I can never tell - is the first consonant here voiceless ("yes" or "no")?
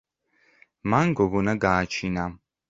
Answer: no